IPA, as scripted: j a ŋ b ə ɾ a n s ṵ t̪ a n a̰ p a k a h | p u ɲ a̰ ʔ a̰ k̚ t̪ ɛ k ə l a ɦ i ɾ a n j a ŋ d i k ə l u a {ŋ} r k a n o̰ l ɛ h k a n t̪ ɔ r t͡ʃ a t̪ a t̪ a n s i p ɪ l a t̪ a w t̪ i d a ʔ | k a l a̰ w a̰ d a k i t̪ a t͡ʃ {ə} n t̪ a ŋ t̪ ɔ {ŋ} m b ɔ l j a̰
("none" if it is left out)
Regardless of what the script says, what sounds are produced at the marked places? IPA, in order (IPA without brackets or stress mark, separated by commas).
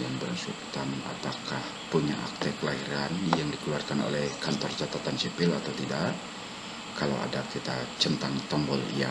none, ə, none